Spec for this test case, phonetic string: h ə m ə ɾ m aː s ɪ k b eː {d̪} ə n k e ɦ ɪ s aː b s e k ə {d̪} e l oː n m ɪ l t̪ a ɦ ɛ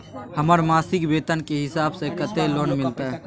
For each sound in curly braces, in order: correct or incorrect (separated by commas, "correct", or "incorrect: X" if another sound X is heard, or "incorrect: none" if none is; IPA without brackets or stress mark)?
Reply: incorrect: t̪, incorrect: t̪